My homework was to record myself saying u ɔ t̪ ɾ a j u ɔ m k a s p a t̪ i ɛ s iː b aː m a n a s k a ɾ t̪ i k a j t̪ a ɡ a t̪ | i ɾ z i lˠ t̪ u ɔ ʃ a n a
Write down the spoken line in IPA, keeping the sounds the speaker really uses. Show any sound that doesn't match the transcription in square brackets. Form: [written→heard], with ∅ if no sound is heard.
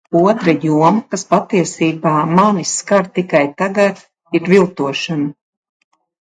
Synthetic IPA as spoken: u ɔ t̪ ɾ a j u ɔ m k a s p a t̪ i ɛ s iː b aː m a n [a→i] s k a ɾ t̪ i k a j t̪ a ɡ a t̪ | i ɾ [z→v] i lˠ t̪ u ɔ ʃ a n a